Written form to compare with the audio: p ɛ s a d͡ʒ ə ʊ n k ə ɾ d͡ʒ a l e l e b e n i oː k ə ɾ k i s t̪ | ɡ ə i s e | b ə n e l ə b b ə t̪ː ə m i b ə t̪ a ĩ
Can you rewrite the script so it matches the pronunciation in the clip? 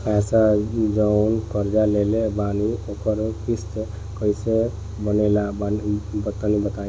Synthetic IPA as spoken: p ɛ s a d͡ʒ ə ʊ n k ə ɾ d͡ʒ a l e l e b a n i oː k ə ɾ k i s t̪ | k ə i s e | b ə n e l a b b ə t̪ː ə n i b ə t̪ a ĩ